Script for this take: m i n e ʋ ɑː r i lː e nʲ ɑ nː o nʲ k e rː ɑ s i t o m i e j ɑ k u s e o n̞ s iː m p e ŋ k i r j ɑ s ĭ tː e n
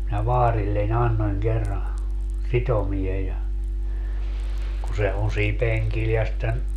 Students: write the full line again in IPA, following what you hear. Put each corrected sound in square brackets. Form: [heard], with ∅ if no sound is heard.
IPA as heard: m i n [æ] ʋ ɑː r i lː e nʲ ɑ nː o nʲ k e rː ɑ s i t o m i e j ɑ k u s e o n̞ s iː m p e ŋ k i [l] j ɑ s ĭ tː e n

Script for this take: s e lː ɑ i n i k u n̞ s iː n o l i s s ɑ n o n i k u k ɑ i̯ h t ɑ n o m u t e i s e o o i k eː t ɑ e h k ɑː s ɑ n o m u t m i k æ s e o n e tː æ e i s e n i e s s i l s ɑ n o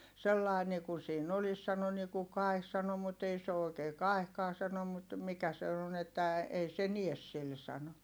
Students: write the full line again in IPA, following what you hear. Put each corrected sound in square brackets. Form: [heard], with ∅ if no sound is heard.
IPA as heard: s e lː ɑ i n i k u n̞ s iː n o l i s s ɑ n o n i k u k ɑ i̯ h [s] ɑ n o m u t e i s e o o i k eː [k] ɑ e h k ɑː s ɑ n o m u t m i k æ s e o n e tː æ e i s e n i e s s i l s ɑ n o

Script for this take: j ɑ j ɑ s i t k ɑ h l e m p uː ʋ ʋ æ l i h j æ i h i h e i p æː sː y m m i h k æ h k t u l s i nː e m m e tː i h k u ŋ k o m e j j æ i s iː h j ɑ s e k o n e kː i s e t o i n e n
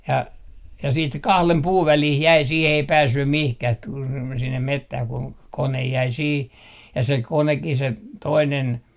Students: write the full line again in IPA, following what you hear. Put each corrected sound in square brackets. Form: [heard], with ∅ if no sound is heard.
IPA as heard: j ɑ j ɑ s [iː] t k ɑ h l e m p uː ʋ ʋ æ l i h j æ i [s] i h e i p æː sː y m m i h k æ h [t] t u l s i nː e m m e tː [æ] h k u ŋ k o [n] e j j æ i s iː h j ɑ s e k o n e kː i s e t o i n e n

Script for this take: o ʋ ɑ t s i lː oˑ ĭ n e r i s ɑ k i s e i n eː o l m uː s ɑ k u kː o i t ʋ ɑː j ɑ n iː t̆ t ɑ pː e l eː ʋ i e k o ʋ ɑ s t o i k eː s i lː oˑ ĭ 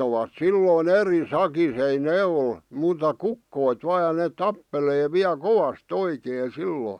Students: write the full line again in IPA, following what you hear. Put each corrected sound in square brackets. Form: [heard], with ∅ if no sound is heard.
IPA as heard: o ʋ ɑ t s i lː oˑ ĭ n e r i s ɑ k i s e i n eː o l m uː [t] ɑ k u kː o i t ʋ ɑː j ɑ n [eː] t̆ t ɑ pː e l eː ʋ i [æ] k o ʋ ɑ s t o i k eː s i lː oˑ ĭ

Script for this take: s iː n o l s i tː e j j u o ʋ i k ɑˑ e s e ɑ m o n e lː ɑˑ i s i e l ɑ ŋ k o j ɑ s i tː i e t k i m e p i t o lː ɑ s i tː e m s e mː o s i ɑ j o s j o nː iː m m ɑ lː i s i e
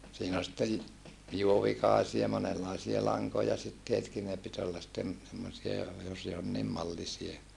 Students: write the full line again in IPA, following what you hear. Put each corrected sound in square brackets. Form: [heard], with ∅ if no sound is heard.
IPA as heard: s iː n o l s i tː e j j u o ʋ i k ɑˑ e s [i] ɑ m o n e lː ɑˑ i s i e l ɑ ŋ k o j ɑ s i tː i e t k i [n] e p i t o lː ɑ s i tː e m s e mː o s i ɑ j o s j o nː iː m m ɑ lː i s i e

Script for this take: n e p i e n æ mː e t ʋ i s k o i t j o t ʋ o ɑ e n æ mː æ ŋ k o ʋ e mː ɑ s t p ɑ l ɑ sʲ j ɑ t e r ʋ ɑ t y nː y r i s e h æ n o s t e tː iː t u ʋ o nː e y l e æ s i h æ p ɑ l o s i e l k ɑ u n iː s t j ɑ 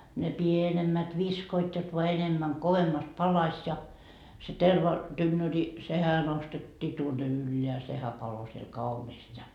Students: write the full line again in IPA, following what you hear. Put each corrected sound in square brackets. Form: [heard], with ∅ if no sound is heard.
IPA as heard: n e p i e n [e] mː [æ] t ʋ i s k o i t j o t ʋ o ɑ e n [e] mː æ ŋ k o ʋ e mː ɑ s t p ɑ l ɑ sʲ j ɑ t e r ʋ ɑ t y nː [ø] r i s e h æ n o s t e tː iː t u [∅] o nː e y [lː] e æ s [e] h æ p ɑ l o s i e l k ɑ u n iː s t j ɑ

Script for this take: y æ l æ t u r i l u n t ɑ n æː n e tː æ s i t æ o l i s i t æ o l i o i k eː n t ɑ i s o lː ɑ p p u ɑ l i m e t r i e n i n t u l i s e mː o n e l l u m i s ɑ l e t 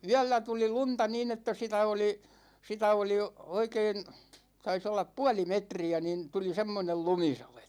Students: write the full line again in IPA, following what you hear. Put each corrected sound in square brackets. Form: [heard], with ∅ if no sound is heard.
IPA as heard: y æ [lː] æ t u [l] i l u n t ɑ n [iː] n e tː æ s i t æ o l i s i t æ o l i o i k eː n t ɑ i s o lː ɑ p p u ɑ l i m e t r i [æ] n i n t u l i s e mː o n e l l u m i s ɑ l e t

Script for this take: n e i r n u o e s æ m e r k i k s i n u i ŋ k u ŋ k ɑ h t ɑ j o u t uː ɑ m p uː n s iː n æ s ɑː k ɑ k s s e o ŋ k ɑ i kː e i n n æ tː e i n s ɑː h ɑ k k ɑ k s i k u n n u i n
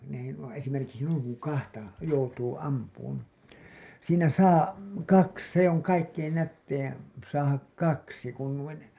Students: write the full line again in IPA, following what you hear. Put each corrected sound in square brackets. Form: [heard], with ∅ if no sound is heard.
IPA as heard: n e i [∅] n u o e s [i] m e r k i k s i n u i ŋ k u ŋ k ɑ h t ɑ j o u t uː ɑ m p uː n s iː n æ s ɑː k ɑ k s s e o ŋ k ɑ i kː e i n n æ tː e i n s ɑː h ɑ k k ɑ k s i k u n n u i n

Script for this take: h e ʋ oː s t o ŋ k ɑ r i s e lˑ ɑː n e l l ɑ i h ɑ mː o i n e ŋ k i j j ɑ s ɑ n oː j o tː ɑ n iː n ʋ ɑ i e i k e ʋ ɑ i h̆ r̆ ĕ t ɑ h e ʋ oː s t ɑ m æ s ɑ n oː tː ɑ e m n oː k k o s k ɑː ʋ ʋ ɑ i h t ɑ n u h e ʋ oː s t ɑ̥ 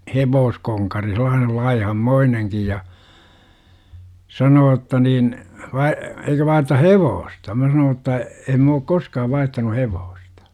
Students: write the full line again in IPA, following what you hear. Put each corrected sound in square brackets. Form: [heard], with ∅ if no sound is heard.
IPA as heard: h e ʋ oː s [k] o ŋ k ɑ r i s e lˑ ɑː n e l l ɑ i h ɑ mː o i n e ŋ k i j j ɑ s ɑ n oː j o tː ɑ n iː n ʋ ɑ i e i k [ø] ʋ ɑ i h̆ r̆ ĕ t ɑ h e ʋ oː s t ɑ m æ s ɑ n oː tː ɑ e m [m] oː k k o s k ɑː ʋ ʋ ɑ i h t ɑ n u h e ʋ oː s t ɑ̥

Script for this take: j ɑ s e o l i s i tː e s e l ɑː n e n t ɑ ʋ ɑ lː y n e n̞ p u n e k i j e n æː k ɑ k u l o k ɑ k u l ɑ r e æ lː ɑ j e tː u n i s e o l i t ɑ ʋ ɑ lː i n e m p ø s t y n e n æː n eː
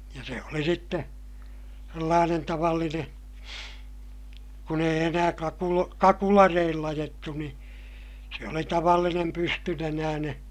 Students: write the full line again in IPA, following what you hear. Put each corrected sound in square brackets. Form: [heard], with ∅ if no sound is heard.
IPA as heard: j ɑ s e o l i s i tː e s e [lː] ɑː n e n t ɑ ʋ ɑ lː [i] n e n̞ [k] u n e [∅] i j e n æː k ɑ k u l o k ɑ k u l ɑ r e [i] lː ɑ j e tː u n i s e o l i t ɑ ʋ ɑ lː i n e m p [y] s t y n e n æː n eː

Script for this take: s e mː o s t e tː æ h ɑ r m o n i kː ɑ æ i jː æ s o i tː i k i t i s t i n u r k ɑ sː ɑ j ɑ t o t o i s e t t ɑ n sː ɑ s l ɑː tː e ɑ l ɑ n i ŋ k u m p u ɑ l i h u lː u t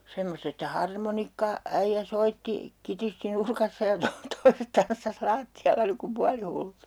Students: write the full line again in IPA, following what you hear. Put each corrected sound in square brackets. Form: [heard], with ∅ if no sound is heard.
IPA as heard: s e mː o s t e tː æ h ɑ r m o n i kː ɑ æ i jː æ s o i tː i k i t i s t i n u r k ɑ sː ɑ j ɑ t o t o i s e t t ɑ n sː ɑ s l ɑː tː [i] ɑ [lː] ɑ n i ŋ k u m p u ɑ l i h u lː u t

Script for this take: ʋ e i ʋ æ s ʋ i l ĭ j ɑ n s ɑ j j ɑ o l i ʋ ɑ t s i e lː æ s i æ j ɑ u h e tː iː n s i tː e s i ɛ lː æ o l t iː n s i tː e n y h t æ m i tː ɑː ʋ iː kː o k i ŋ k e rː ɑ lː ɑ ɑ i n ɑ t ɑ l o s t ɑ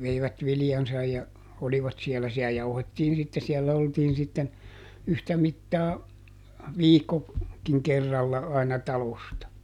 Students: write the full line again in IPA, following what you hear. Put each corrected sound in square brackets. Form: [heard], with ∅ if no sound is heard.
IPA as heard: ʋ e i ʋ æ [t] ʋ i l ĭ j ɑ n s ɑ j j ɑ o l i ʋ ɑ t s i e lː æ s i æ j ɑ u h e tː iː n s i tː e s i ɛ lː æ o l t iː n s i tː e n y h t æ m i tː ɑː ʋ iː kː o k i ŋ k e rː ɑ lː ɑ ɑ i n ɑ t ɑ l o s t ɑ

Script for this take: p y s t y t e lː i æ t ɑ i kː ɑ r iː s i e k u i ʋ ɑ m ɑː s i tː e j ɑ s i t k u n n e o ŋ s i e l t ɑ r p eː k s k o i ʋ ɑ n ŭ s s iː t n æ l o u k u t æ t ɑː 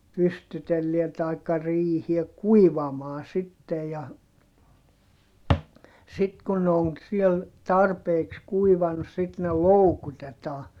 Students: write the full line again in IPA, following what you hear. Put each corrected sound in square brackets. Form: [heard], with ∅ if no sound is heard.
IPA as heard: p y s t y t e lː i æ t ɑ i kː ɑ r iː [h] i e k u i ʋ ɑ m ɑː s i tː e j ɑ s i t k u n n e o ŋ s i e l t ɑ r p eː k s k [u] i ʋ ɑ n ŭ s s [i] t n [e] l o u k u t [e] t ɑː

